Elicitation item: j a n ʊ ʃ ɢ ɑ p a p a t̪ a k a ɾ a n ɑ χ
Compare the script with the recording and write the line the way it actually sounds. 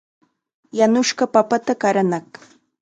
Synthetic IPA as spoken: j a n ʊ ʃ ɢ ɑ p a p a t̪ a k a ɾ a n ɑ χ